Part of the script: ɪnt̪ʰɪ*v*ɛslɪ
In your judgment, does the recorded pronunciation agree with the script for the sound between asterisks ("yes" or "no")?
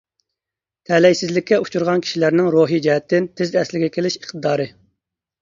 no